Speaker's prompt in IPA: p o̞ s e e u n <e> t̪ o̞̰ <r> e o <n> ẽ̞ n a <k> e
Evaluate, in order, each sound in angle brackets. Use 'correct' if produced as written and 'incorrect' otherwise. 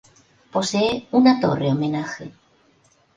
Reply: incorrect: a, correct, incorrect: m, incorrect: x

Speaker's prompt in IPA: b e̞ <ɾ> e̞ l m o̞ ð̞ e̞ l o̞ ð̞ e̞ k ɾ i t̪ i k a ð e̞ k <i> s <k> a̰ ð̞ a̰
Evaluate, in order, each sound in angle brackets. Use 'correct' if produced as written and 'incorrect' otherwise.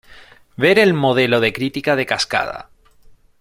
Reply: correct, incorrect: a, correct

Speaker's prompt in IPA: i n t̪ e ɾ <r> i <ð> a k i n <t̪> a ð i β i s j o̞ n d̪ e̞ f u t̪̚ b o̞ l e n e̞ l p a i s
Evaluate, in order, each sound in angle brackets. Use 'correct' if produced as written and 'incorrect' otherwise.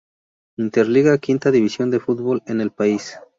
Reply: incorrect: l, incorrect: ɣ, correct

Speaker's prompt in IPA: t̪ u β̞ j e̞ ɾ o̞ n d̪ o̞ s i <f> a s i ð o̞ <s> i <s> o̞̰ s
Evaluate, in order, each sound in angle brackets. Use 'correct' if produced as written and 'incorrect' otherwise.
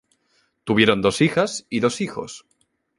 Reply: incorrect: x, correct, incorrect: x

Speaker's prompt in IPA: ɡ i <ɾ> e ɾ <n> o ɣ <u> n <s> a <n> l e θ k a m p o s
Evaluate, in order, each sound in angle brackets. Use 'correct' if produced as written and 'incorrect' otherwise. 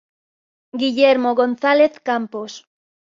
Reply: incorrect: ʎ, incorrect: m, incorrect: o, incorrect: θ, incorrect: none

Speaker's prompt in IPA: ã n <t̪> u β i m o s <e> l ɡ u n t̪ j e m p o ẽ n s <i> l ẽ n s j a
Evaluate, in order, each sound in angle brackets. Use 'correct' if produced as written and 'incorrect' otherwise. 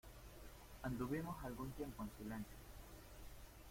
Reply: incorrect: d̪, incorrect: a, correct

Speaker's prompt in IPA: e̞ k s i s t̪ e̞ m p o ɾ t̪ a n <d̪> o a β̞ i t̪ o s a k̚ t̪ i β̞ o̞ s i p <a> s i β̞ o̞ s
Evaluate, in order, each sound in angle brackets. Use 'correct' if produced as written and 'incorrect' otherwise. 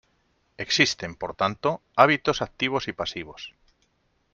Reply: incorrect: t̪, correct

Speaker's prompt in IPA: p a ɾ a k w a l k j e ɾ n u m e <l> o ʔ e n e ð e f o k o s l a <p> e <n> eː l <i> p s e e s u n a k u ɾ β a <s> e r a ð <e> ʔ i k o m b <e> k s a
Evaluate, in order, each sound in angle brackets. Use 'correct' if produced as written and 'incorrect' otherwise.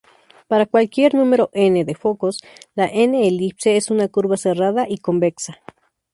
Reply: incorrect: ɾ, incorrect: ʔ, correct, correct, correct, incorrect: a, correct

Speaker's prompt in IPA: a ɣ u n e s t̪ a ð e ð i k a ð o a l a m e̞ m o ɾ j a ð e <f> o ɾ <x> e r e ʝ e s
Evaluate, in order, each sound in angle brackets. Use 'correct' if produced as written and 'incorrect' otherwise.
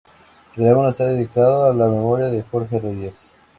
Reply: incorrect: x, correct

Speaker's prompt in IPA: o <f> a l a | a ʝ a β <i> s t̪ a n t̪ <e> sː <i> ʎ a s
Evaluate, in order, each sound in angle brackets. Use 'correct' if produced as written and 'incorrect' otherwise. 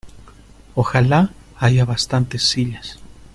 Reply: incorrect: x, incorrect: a, correct, correct

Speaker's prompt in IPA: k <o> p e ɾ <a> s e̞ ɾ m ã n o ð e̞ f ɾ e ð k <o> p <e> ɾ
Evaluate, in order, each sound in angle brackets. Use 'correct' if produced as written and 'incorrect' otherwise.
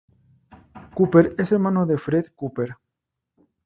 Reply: incorrect: u, incorrect: e, incorrect: u, correct

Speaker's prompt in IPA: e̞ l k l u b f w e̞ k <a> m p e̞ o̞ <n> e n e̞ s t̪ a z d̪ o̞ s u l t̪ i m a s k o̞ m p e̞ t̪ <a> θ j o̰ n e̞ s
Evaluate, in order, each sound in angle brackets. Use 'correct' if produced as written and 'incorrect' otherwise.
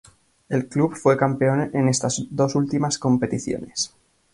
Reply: correct, correct, incorrect: i

